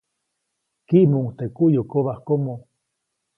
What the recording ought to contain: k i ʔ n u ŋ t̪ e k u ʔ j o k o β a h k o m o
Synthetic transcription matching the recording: k i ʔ m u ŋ t̪ e k u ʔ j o k o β a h k o m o